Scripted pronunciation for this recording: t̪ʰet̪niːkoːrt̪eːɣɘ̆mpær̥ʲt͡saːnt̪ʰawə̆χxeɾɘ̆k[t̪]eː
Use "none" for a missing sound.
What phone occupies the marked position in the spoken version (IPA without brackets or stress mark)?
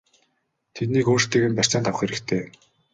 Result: t̪ʰ